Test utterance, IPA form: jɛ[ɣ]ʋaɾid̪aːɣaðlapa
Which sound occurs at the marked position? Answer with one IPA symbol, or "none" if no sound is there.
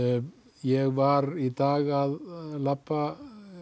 ɣ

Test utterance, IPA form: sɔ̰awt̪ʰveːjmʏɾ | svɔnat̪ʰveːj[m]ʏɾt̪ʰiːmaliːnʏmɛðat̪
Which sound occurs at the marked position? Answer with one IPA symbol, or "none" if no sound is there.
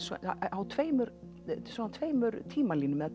m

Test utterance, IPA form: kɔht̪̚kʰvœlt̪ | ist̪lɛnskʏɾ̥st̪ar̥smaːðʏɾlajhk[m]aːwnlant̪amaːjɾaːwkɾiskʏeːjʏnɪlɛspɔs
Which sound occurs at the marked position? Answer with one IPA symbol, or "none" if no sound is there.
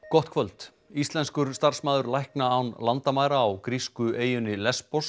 n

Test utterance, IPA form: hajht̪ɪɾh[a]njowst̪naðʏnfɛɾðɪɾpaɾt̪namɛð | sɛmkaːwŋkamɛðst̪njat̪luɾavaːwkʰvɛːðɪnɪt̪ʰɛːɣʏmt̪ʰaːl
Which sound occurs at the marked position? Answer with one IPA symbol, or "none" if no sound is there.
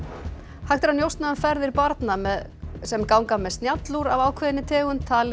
a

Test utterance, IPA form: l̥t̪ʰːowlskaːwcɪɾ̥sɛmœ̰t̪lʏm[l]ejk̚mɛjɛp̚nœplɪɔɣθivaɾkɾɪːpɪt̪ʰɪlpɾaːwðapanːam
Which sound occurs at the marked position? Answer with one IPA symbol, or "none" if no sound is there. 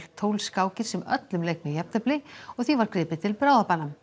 l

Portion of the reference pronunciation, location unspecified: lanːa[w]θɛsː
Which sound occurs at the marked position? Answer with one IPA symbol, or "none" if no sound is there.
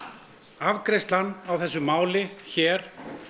w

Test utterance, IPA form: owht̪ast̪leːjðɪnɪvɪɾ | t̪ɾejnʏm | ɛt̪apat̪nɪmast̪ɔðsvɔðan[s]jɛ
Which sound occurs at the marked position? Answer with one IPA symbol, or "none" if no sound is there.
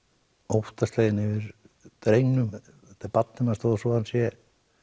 s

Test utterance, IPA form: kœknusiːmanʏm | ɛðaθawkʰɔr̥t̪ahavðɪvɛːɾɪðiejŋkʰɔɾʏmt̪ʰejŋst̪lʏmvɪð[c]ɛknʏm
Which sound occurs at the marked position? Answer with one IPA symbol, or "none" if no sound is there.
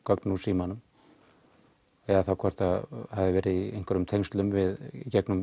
c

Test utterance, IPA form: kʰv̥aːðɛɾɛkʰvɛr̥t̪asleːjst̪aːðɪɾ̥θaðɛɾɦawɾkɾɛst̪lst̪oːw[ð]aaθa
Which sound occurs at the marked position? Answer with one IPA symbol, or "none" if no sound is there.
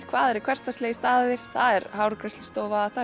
v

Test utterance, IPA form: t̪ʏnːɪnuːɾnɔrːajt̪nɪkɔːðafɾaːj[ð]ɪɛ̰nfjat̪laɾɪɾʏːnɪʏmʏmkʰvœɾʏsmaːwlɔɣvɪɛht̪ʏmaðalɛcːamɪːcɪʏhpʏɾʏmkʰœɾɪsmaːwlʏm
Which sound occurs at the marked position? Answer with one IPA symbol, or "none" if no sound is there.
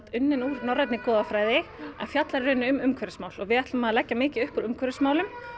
ð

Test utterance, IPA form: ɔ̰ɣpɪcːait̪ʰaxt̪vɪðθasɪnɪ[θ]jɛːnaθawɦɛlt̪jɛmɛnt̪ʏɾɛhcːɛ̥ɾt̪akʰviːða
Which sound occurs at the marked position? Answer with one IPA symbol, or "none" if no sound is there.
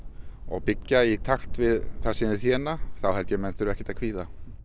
θ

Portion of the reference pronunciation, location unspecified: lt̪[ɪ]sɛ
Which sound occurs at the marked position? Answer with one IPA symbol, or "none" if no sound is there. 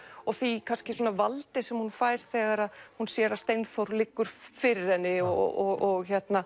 ɪ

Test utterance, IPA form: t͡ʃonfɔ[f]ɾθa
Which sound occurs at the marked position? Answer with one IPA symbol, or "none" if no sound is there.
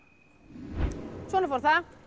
none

